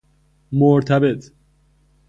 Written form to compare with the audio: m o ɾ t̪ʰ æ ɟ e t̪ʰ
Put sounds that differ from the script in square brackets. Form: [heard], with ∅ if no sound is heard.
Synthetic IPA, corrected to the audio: m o ɾ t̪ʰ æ [b] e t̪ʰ